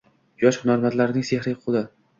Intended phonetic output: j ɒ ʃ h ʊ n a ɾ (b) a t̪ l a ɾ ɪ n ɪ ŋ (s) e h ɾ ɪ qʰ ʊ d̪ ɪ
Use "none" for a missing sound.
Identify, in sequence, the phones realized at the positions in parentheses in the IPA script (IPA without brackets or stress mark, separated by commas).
m, s